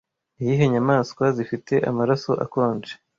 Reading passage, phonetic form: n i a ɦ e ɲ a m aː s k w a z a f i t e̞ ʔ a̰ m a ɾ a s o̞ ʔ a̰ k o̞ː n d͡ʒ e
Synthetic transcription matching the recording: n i i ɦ e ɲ a m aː s k w a z i f i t e̞ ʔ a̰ m a ɾ a s o̞ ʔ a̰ k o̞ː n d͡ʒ e